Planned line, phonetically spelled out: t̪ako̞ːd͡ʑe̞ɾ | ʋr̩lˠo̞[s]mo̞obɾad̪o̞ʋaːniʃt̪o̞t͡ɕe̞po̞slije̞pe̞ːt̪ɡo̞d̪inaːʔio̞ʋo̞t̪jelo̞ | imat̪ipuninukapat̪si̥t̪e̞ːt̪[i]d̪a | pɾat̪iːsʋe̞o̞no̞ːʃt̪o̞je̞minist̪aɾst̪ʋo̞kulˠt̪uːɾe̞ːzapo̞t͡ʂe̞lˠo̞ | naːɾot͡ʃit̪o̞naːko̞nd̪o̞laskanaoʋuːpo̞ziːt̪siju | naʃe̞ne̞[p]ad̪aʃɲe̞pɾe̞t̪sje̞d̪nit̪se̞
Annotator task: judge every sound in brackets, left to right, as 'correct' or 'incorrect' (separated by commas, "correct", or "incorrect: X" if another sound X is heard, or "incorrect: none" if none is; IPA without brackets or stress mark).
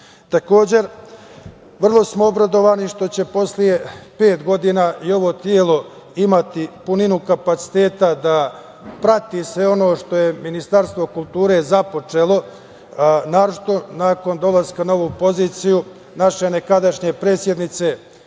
correct, incorrect: a, incorrect: k